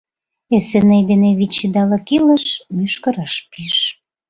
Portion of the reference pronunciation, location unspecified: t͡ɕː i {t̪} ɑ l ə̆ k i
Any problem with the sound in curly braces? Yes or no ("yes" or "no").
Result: yes